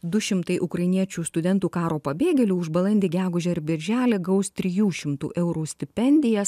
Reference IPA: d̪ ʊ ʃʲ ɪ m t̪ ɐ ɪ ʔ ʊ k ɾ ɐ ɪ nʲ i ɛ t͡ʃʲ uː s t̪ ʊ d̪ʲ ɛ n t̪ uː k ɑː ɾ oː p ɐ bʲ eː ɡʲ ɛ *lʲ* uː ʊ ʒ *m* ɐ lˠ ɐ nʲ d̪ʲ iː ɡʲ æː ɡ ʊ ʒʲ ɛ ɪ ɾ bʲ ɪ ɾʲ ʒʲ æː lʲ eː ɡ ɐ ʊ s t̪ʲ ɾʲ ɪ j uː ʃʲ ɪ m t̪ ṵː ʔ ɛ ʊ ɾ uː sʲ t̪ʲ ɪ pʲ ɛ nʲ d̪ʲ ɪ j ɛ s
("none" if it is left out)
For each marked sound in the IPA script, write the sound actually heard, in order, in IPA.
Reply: lʲ, b

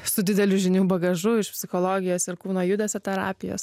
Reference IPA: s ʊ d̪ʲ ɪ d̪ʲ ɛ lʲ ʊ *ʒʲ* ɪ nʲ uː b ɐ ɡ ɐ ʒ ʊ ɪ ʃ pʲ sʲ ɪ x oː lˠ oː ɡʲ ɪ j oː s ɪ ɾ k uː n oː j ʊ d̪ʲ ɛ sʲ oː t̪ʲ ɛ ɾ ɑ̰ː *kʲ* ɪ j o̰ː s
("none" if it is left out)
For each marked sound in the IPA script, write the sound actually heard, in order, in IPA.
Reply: ʒʲ, pʲ

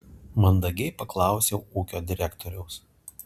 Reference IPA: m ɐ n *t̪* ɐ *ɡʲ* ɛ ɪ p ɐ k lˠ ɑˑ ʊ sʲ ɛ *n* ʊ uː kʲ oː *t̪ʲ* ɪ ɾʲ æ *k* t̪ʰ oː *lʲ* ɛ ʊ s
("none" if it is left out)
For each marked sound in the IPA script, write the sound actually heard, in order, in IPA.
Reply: d̪, ɡʲ, none, d̪ʲ, k, ɾʲ

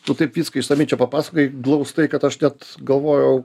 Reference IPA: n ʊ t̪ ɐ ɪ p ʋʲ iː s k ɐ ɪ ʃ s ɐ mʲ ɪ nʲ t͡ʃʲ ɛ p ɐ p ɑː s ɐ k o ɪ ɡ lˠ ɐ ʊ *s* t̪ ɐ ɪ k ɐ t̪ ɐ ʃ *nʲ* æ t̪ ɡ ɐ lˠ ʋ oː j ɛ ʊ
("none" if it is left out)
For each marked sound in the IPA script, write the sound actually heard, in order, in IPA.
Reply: s, nʲ

